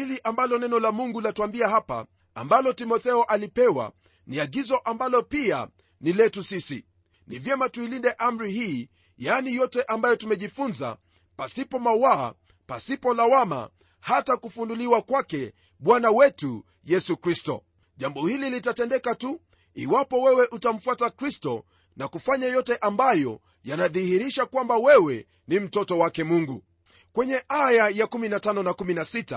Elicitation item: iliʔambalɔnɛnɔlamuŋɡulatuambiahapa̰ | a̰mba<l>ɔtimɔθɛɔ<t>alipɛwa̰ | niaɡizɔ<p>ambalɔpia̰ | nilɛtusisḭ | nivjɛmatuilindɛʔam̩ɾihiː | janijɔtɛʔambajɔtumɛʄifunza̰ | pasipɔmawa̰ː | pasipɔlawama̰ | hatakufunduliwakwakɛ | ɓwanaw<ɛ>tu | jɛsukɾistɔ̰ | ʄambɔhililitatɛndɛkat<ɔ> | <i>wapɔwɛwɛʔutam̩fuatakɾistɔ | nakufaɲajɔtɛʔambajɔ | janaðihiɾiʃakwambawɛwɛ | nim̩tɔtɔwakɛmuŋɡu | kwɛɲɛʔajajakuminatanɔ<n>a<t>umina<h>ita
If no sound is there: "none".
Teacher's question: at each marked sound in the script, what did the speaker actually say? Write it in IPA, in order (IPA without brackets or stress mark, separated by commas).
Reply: l, ʔ, ʔ, ɛ, u, i, n, k, s